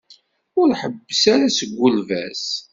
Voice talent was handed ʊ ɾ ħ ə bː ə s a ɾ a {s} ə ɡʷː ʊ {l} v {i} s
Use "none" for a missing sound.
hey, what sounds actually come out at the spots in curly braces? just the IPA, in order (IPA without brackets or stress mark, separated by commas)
s, l, æ